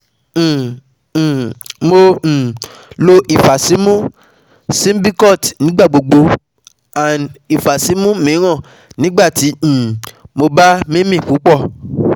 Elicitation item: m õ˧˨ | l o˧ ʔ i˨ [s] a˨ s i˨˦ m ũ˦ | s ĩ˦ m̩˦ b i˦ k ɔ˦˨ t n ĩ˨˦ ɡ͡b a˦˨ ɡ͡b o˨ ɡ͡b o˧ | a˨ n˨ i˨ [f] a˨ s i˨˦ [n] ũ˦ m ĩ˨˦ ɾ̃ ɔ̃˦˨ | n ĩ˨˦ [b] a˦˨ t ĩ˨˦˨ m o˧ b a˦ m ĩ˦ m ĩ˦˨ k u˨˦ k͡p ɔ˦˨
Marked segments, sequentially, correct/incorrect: incorrect, correct, incorrect, incorrect

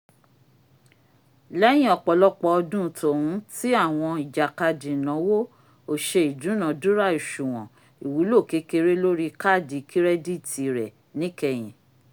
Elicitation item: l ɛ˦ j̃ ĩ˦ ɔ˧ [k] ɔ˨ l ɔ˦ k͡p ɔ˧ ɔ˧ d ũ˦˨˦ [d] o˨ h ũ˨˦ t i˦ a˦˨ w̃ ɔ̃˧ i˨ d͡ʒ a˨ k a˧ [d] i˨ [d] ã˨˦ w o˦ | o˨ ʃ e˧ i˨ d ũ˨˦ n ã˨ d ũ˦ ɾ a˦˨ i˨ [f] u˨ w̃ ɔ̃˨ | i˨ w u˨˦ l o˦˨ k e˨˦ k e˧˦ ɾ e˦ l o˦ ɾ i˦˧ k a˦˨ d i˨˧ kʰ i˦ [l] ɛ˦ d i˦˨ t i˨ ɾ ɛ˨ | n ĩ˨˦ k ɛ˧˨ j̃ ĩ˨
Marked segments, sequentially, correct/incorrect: incorrect, incorrect, correct, incorrect, incorrect, incorrect

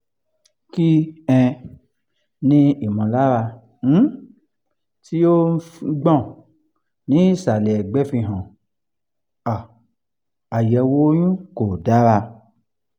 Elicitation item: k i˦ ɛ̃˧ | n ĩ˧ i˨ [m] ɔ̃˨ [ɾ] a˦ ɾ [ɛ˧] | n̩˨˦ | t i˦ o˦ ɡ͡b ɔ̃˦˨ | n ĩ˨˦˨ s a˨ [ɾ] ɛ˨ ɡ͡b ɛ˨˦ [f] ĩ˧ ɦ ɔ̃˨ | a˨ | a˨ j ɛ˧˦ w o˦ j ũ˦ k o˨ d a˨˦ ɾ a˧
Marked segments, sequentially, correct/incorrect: correct, incorrect, incorrect, incorrect, correct

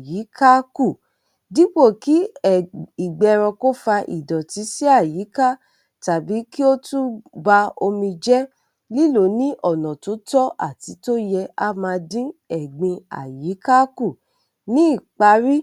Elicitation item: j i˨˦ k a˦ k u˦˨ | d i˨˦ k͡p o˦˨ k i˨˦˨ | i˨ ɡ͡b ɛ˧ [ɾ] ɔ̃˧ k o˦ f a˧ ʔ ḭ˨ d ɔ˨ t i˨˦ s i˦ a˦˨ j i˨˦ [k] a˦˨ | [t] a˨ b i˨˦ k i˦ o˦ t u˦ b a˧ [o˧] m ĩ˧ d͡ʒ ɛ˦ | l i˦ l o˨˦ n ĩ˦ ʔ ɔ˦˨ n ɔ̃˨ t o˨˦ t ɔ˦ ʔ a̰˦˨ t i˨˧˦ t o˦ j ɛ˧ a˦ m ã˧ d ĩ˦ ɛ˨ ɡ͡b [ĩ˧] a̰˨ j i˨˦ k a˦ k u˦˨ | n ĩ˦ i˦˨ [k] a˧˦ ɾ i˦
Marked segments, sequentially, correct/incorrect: correct, correct, correct, correct, correct, incorrect

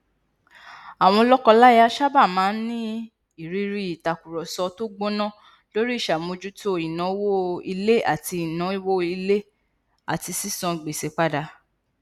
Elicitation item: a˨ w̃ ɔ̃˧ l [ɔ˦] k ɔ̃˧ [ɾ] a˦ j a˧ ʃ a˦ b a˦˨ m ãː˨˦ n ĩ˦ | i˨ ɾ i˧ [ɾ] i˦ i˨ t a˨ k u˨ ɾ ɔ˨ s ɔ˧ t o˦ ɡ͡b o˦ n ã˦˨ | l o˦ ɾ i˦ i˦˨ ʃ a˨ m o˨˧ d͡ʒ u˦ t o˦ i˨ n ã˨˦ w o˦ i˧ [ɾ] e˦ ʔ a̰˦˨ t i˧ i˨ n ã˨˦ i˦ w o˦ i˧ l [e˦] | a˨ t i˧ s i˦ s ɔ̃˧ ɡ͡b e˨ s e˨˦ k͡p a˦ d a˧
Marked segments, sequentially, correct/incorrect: correct, incorrect, correct, incorrect, correct

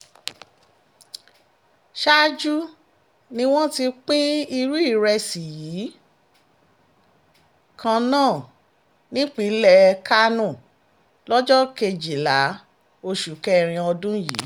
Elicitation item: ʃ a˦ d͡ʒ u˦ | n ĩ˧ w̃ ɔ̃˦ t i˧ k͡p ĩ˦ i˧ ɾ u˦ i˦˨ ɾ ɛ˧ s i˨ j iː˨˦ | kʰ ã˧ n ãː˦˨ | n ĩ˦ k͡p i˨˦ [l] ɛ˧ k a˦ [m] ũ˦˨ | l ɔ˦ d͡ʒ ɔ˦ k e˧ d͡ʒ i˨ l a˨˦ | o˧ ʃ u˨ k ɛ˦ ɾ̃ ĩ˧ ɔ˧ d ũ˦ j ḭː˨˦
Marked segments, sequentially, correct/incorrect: correct, incorrect

